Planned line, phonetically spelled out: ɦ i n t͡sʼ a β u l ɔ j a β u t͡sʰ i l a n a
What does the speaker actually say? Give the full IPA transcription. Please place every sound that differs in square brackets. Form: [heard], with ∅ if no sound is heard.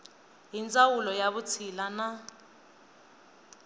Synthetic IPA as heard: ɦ i n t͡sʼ a [w] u l ɔ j a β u t͡sʰ i l a n a